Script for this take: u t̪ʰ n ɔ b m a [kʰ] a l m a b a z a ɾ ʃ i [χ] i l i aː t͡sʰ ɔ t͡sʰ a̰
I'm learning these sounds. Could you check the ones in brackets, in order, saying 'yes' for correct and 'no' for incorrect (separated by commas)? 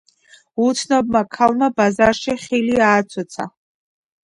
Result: yes, yes